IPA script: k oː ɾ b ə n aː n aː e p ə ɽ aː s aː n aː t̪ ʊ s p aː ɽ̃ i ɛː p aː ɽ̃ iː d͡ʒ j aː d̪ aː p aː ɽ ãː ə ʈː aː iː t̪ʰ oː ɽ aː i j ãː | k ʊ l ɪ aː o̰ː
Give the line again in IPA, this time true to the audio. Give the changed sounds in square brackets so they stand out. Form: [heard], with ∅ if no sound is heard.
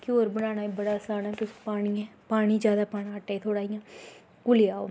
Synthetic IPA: k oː ɾ b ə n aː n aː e [b] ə ɽ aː s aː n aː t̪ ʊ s p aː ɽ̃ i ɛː p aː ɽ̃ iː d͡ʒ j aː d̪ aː p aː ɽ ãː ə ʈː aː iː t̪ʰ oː ɽ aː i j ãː | k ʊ l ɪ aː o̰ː